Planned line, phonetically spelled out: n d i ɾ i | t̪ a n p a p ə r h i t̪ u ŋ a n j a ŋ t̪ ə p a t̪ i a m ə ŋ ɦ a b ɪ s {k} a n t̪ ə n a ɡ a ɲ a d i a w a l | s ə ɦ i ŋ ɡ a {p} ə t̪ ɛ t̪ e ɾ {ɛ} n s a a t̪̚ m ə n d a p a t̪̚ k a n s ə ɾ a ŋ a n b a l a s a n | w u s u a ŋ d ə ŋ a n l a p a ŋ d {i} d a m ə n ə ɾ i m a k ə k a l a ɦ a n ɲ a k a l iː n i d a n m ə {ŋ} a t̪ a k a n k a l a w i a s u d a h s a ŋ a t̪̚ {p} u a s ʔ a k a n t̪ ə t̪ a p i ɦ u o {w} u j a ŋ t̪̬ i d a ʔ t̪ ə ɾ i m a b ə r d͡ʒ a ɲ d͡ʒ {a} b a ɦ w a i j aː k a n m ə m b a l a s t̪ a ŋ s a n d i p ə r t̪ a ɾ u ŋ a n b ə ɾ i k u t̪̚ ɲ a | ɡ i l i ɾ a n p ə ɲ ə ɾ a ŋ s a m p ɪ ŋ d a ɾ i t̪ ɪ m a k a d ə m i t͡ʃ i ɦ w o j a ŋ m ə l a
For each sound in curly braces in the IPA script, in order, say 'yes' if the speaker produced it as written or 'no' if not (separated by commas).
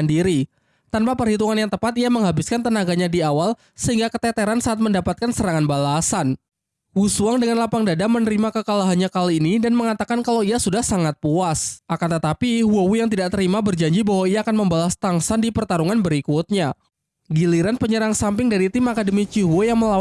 yes, no, no, no, yes, yes, yes, no